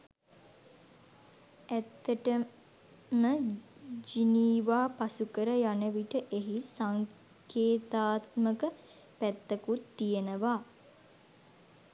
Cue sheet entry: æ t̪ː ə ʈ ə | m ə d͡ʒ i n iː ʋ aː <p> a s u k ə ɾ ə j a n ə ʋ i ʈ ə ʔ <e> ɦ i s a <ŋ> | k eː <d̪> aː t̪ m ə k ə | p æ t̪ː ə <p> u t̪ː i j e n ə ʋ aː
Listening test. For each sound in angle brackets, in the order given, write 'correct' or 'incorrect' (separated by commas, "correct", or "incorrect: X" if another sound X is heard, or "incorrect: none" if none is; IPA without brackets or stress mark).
correct, correct, correct, incorrect: t̪, incorrect: k